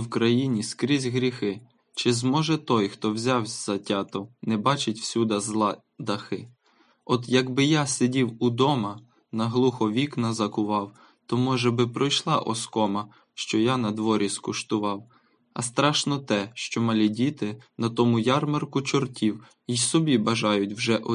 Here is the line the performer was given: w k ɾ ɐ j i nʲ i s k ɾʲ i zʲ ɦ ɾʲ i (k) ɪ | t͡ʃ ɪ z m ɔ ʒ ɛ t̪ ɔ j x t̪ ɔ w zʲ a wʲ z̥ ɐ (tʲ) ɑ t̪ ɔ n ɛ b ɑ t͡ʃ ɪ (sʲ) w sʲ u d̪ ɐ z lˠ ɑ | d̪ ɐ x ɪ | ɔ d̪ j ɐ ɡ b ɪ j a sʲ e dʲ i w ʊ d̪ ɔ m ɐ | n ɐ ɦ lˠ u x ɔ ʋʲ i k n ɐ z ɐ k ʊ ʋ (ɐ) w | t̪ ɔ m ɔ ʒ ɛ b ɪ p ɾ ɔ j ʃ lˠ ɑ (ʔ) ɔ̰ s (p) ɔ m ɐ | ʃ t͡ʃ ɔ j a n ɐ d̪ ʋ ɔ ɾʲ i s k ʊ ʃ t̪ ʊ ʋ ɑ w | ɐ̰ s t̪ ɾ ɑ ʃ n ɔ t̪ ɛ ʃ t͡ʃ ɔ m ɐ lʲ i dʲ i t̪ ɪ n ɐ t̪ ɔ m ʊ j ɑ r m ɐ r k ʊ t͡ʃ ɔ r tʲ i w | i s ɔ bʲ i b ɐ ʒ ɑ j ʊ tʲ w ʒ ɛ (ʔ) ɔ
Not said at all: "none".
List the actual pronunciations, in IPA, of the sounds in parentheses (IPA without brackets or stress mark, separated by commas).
x, tʲ, tʲ, ɑ, ʔ, k, ʔ